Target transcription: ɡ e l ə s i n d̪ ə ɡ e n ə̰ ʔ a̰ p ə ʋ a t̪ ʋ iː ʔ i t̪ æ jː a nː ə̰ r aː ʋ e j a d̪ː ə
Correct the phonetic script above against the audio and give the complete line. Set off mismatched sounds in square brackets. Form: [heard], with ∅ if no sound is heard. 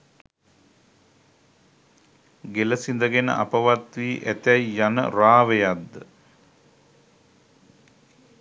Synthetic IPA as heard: ɡ e l ə s i n d̪ ə ɡ e n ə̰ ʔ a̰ p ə ʋ a t̪ ʋ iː ʔ [æ] t̪ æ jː a [n] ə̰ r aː ʋ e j a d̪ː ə